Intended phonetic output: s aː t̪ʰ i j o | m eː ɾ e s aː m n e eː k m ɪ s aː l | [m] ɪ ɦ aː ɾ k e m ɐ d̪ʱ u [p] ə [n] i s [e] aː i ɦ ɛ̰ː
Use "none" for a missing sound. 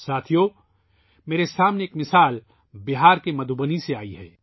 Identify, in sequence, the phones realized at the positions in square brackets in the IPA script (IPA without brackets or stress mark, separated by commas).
b, b, n, e